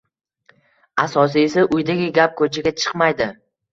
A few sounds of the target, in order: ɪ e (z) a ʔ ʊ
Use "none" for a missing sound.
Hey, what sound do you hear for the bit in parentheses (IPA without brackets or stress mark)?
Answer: s